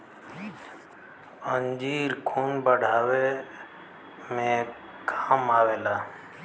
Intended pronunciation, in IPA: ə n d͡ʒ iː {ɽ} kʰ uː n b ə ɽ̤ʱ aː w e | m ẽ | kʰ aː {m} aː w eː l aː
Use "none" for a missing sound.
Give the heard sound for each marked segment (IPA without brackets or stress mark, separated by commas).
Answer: ɾ, m